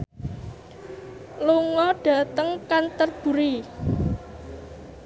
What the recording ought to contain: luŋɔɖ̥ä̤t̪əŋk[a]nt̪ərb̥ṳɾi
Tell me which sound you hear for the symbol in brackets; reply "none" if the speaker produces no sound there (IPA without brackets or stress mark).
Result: a